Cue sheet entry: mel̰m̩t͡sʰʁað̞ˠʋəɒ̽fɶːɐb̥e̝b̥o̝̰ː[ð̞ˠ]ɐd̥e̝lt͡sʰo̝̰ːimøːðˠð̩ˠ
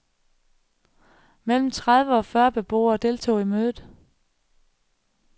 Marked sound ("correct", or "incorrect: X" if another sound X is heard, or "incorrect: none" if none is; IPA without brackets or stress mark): incorrect: none